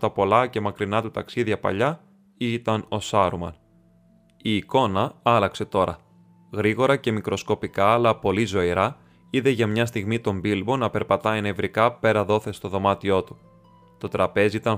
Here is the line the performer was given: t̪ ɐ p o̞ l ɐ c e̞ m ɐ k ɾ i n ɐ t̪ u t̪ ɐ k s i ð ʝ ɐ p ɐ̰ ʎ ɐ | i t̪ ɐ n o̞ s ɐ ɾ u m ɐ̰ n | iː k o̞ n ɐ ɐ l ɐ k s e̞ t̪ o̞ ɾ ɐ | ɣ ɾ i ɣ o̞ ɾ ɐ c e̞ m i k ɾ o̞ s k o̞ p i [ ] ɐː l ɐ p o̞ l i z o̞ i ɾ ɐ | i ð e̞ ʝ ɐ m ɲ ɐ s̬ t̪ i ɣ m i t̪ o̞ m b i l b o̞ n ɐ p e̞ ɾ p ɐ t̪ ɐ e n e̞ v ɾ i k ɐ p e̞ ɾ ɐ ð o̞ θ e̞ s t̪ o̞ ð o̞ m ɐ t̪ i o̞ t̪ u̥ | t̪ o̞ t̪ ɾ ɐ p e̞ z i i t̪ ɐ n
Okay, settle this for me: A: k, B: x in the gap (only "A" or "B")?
A